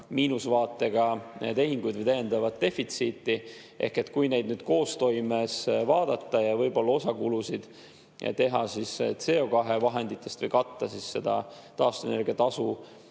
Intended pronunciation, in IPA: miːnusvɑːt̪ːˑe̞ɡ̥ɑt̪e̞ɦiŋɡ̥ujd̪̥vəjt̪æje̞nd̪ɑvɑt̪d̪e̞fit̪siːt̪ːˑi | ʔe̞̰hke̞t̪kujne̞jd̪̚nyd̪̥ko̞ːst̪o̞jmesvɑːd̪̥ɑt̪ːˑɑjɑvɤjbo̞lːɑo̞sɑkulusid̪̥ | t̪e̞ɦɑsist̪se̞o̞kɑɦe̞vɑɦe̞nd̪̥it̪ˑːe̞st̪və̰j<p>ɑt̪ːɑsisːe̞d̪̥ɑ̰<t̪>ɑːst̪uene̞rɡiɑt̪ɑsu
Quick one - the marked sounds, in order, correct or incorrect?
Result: incorrect, correct

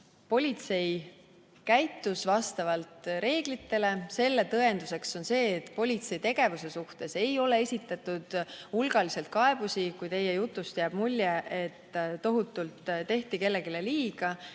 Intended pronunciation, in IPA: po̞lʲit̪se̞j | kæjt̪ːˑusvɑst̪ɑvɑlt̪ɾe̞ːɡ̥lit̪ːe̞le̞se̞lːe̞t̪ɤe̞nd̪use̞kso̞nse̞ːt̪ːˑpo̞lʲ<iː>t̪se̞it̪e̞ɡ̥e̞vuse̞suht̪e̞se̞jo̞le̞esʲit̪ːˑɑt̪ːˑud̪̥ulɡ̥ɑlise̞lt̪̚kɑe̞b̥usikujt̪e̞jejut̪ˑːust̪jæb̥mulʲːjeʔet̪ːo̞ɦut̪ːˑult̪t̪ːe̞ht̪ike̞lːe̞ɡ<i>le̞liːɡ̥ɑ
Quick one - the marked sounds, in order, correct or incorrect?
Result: incorrect, correct

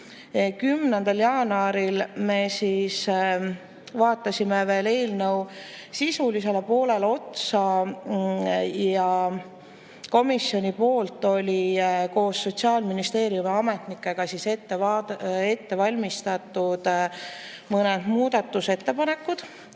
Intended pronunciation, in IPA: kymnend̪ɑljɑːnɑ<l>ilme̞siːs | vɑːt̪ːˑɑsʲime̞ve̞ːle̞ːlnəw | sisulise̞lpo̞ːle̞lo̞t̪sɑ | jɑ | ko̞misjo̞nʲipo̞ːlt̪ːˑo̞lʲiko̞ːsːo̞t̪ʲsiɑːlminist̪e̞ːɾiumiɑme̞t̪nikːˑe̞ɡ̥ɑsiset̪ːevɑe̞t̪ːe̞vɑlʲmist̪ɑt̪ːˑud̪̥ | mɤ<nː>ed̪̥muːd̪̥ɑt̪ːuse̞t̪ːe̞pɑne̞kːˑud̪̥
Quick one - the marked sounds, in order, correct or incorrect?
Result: incorrect, incorrect

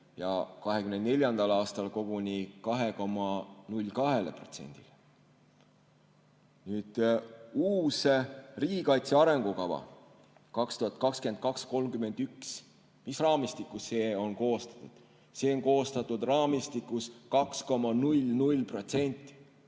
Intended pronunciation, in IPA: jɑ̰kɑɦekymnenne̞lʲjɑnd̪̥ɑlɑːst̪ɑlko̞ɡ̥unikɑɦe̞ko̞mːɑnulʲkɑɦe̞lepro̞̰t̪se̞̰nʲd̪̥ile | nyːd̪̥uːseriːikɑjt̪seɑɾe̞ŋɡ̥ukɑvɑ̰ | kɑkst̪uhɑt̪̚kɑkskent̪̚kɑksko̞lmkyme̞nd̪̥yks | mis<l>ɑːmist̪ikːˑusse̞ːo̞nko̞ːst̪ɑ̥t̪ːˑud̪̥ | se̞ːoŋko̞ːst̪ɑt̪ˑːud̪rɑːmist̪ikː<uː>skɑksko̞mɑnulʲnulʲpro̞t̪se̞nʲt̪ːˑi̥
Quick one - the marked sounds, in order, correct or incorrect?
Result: incorrect, incorrect

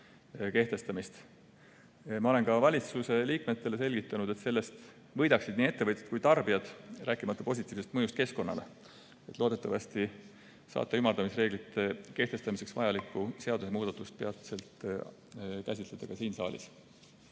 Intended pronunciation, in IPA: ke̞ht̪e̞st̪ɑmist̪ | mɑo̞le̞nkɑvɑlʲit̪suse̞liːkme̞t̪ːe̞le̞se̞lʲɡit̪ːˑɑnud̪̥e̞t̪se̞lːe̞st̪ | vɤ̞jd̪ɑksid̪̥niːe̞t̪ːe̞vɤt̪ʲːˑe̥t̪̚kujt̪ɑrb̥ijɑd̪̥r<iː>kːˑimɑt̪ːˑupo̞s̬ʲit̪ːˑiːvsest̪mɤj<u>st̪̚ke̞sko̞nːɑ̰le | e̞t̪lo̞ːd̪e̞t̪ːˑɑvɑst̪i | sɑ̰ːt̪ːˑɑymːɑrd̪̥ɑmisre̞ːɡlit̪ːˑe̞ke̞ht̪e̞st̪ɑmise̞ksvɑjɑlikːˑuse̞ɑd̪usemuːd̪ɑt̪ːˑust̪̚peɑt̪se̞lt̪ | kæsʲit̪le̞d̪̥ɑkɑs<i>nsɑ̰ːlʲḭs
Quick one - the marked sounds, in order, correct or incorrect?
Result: incorrect, correct, incorrect

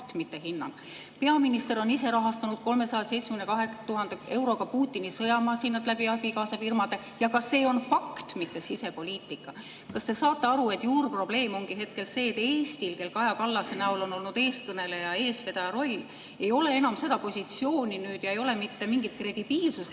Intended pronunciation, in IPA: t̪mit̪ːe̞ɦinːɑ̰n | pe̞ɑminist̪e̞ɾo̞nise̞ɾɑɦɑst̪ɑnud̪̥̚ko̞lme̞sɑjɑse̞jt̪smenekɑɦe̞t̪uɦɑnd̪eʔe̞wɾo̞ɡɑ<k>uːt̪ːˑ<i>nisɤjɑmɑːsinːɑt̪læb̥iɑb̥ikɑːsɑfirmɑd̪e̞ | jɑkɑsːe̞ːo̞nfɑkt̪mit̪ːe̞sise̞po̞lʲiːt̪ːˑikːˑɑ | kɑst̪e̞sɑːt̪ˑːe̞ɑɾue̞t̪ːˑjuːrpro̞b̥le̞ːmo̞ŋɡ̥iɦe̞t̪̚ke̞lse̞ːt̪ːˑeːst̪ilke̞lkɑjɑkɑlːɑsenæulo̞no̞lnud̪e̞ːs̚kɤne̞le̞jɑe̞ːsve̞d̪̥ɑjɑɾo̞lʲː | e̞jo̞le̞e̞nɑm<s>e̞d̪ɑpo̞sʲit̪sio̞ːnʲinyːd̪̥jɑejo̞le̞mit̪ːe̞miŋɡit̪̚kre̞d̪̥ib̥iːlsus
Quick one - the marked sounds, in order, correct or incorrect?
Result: incorrect, correct, correct

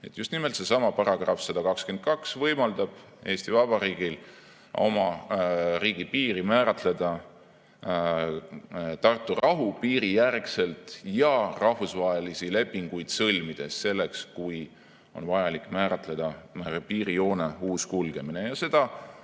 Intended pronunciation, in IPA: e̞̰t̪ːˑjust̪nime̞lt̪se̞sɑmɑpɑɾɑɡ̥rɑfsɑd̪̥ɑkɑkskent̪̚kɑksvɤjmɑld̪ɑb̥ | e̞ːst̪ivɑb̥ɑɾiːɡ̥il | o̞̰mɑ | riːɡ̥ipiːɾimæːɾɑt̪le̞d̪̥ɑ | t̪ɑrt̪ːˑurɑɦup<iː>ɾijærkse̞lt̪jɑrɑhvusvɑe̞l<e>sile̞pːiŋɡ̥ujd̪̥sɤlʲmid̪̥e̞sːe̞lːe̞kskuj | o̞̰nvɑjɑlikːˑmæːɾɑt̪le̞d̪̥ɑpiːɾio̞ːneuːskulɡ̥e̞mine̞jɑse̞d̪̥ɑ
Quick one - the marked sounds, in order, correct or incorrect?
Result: correct, incorrect

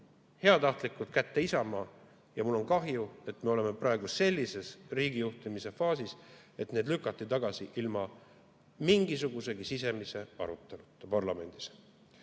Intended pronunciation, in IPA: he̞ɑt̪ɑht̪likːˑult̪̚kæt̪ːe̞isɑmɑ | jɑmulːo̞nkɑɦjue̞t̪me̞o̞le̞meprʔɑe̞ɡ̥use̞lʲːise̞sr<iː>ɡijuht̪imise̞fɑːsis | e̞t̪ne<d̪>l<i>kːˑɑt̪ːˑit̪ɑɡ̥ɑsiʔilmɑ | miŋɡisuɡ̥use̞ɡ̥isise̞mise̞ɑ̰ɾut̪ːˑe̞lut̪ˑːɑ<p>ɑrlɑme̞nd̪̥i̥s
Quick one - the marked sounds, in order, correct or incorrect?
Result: correct, correct, incorrect, correct

